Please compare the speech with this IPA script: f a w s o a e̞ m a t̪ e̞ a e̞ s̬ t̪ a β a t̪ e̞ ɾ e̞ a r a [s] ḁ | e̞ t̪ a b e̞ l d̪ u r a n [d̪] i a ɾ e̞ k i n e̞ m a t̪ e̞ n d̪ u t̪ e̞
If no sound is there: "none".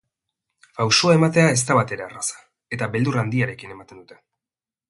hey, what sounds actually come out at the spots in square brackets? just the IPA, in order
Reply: s, d̪

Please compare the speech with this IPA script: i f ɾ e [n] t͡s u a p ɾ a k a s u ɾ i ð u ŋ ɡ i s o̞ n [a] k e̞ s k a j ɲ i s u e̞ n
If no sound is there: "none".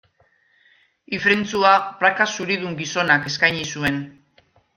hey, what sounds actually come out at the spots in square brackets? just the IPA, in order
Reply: n, a

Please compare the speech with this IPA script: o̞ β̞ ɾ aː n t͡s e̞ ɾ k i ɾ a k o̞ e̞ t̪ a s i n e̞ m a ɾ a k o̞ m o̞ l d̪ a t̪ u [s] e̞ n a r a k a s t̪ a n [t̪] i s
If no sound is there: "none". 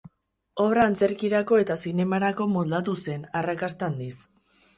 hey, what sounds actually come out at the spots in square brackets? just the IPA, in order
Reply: s, d̪

